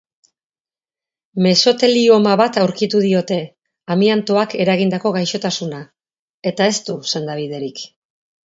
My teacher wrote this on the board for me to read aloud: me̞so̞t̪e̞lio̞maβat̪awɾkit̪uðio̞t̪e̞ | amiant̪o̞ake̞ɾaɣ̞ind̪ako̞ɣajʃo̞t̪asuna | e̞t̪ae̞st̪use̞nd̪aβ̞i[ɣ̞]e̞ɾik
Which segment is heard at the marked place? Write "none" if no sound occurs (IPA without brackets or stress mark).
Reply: ð̞